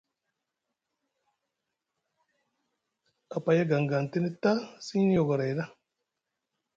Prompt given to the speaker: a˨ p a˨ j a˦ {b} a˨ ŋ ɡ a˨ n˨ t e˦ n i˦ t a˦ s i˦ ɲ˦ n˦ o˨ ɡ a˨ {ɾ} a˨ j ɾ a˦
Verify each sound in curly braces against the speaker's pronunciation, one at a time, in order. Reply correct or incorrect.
incorrect, correct

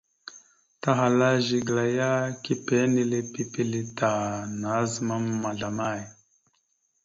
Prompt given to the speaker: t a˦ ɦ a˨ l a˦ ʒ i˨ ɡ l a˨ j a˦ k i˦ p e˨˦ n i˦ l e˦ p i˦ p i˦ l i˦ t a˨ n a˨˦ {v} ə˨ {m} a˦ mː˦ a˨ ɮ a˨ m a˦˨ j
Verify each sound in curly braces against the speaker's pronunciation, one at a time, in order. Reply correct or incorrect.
incorrect, correct

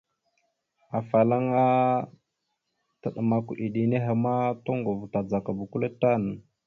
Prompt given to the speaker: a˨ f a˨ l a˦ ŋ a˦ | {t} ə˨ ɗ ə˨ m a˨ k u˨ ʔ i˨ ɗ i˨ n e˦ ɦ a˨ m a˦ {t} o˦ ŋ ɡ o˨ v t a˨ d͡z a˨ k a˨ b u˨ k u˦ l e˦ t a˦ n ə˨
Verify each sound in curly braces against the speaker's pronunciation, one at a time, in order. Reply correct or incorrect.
correct, correct

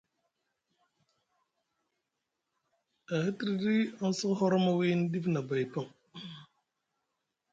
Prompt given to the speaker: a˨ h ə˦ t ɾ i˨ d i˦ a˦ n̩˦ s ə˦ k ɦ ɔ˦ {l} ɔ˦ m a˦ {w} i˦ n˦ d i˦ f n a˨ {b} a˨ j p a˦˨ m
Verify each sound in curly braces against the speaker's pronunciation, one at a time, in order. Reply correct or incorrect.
incorrect, correct, correct

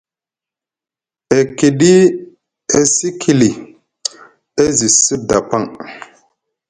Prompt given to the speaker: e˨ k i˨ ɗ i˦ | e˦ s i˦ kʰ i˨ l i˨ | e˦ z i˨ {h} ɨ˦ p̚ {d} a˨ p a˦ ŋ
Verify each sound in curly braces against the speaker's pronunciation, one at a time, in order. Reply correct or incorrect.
incorrect, correct

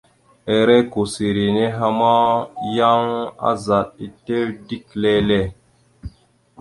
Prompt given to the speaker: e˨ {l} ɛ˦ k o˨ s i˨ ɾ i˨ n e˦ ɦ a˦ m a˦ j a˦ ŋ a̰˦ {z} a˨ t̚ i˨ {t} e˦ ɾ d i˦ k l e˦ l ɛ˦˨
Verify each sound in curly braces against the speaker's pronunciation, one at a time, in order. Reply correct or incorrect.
incorrect, correct, correct

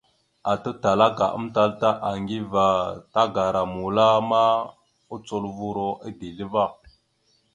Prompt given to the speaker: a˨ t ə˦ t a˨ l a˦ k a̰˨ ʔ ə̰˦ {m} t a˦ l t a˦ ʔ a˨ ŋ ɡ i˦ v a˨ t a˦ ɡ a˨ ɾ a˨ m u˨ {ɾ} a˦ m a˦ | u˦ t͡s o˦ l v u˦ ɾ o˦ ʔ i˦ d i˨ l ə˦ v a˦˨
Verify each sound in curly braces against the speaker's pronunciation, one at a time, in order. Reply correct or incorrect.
correct, incorrect

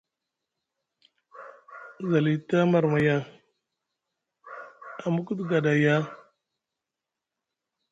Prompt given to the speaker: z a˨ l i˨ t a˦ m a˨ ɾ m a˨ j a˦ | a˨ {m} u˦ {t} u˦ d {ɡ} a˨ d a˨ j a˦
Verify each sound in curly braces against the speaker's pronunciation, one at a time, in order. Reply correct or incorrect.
correct, incorrect, correct

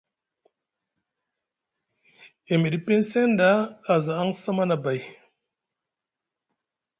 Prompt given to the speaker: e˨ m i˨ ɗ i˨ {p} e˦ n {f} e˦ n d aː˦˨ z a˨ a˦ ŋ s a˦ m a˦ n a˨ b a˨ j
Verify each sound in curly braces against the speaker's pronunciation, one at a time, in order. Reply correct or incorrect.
correct, incorrect

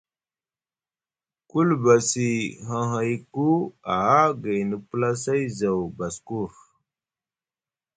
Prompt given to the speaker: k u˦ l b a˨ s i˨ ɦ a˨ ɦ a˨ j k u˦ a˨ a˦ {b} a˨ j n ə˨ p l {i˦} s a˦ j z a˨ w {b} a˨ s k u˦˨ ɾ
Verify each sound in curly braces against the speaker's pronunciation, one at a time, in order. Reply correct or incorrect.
incorrect, incorrect, correct

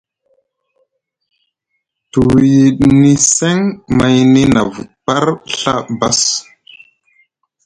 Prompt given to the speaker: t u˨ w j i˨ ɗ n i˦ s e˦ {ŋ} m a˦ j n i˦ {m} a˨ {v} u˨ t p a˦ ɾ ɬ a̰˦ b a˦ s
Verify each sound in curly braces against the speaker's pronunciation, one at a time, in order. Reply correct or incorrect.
correct, incorrect, correct

